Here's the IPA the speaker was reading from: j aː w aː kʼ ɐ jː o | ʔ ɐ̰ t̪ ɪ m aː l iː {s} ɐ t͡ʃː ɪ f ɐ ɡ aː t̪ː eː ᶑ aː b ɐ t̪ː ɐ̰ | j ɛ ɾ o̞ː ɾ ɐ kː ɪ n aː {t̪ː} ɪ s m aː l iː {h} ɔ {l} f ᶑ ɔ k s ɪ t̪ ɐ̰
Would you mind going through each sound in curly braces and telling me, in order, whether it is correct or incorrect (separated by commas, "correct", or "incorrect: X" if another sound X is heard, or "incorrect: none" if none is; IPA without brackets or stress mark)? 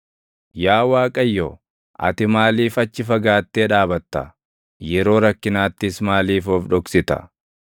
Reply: incorrect: f, correct, incorrect: f, incorrect: none